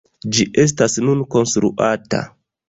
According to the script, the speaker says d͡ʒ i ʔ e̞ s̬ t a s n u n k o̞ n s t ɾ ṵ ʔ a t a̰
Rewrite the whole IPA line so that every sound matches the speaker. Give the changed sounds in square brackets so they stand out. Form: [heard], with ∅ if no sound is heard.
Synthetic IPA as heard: d͡ʒ i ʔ e̞ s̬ t a s n u n k o̞ n s t ɾ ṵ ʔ a t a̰